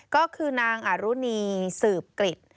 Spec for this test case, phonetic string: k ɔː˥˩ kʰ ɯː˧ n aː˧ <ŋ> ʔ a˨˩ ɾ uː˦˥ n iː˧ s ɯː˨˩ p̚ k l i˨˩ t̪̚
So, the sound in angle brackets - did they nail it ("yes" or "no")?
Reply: yes